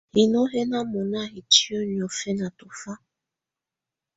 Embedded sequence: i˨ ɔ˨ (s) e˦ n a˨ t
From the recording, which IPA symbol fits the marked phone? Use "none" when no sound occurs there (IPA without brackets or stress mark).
f